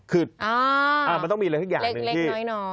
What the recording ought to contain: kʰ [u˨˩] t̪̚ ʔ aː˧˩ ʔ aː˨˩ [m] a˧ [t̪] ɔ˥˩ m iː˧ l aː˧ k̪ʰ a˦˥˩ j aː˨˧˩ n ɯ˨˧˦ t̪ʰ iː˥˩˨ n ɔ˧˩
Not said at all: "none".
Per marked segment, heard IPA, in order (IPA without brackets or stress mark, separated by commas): ɯ˨˩, m, t̪